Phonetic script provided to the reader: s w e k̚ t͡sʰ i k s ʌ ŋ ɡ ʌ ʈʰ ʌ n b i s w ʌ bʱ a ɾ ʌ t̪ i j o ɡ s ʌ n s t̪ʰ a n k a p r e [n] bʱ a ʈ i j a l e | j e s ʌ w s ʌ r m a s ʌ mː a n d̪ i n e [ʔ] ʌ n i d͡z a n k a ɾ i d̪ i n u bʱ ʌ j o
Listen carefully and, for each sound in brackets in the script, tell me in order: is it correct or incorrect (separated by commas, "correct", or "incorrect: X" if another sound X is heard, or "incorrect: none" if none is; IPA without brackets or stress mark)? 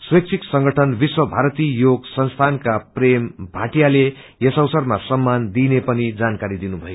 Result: incorrect: m, incorrect: p